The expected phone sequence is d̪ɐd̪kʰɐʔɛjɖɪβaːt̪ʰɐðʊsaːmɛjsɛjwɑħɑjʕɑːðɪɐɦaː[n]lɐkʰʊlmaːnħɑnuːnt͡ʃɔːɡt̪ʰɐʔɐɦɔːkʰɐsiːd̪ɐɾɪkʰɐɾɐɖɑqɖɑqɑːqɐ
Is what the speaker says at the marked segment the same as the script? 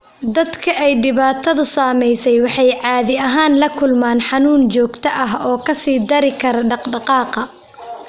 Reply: yes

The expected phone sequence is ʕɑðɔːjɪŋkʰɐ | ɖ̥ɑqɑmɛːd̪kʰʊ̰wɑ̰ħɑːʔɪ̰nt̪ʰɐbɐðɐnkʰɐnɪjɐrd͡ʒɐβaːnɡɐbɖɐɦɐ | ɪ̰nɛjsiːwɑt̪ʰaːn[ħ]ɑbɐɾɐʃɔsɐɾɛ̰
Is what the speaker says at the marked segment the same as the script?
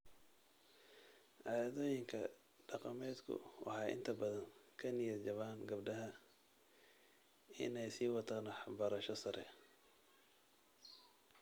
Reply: yes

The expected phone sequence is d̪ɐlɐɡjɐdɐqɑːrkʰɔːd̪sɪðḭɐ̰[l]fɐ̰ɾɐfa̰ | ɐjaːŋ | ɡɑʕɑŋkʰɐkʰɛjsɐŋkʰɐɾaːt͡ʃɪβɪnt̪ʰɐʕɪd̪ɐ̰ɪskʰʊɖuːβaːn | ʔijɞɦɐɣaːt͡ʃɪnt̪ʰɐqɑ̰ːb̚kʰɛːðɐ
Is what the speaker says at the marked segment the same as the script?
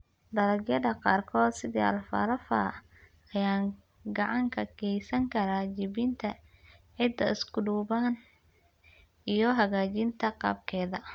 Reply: yes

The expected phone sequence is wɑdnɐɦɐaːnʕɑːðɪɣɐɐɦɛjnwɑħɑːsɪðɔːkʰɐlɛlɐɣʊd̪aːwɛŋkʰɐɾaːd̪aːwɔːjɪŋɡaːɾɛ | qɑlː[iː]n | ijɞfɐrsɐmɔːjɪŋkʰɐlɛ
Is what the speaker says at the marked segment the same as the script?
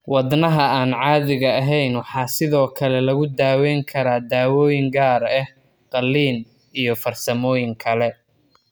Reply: yes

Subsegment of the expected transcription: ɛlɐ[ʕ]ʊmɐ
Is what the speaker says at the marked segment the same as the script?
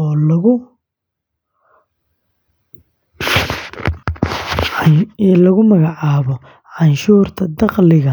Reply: no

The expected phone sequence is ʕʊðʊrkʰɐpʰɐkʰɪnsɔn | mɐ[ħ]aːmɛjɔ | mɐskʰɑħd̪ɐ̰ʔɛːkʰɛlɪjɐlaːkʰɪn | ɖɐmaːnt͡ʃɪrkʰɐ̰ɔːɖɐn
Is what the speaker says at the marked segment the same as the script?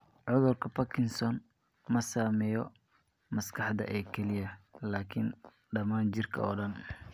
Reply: no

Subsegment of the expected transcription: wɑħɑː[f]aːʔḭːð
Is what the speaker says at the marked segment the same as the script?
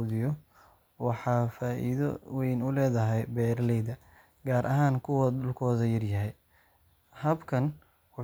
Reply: yes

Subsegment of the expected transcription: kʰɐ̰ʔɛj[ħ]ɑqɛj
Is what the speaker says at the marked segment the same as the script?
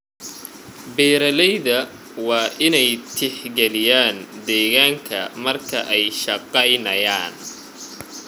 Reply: no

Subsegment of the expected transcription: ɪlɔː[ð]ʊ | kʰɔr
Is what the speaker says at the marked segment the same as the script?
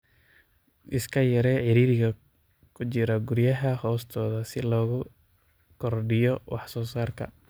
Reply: no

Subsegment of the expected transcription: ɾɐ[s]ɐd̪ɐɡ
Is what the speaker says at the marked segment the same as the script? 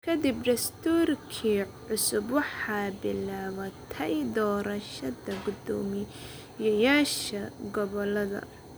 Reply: no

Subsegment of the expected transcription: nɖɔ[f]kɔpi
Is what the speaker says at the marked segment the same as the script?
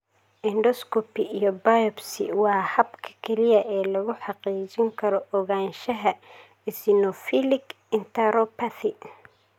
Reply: no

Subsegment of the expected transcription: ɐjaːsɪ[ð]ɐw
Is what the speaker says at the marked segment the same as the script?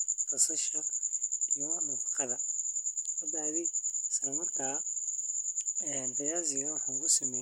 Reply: no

